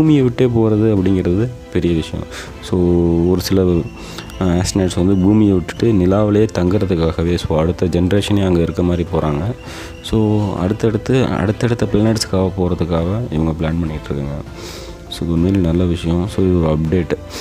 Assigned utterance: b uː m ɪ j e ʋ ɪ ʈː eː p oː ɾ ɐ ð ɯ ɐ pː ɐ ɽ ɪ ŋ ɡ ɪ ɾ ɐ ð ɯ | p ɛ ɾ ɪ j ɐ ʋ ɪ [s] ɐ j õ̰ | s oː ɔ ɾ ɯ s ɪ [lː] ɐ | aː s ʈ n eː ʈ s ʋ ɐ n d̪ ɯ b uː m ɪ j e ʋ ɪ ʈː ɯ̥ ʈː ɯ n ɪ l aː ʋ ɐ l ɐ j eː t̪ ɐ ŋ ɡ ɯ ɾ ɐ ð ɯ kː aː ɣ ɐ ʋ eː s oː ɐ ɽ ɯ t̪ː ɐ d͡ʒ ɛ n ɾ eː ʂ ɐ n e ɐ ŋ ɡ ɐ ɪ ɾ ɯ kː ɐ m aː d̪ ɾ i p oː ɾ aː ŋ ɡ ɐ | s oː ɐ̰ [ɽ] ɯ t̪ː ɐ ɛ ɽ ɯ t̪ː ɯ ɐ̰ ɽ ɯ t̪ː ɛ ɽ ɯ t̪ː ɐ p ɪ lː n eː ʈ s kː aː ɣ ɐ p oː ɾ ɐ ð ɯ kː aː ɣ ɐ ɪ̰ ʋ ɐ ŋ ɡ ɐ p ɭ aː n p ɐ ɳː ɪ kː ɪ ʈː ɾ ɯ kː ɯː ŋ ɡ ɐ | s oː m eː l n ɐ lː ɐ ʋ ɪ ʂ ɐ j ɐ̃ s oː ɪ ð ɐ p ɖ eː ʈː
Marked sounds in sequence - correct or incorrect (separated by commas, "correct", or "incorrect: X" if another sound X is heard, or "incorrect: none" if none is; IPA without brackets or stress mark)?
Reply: incorrect: ʂ, incorrect: l, correct